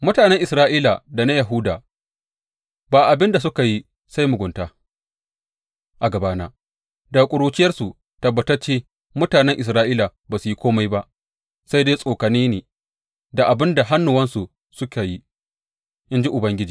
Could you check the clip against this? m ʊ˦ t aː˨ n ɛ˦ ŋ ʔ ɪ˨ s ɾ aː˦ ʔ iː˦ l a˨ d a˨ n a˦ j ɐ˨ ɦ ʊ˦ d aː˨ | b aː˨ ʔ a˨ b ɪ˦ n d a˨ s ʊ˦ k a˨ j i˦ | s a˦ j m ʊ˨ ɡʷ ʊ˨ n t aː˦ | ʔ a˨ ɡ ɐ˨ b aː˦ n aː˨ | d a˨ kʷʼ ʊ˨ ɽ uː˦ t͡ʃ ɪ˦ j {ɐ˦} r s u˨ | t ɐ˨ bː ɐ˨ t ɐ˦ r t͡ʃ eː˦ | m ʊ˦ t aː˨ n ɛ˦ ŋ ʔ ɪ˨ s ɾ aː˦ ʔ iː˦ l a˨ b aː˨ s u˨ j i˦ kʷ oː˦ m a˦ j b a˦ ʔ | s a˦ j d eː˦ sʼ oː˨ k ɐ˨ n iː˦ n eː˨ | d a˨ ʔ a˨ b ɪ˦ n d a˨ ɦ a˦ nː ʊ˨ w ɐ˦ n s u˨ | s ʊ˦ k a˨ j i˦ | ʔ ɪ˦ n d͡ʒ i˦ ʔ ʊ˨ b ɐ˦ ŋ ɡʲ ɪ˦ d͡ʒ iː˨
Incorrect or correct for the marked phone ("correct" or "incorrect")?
correct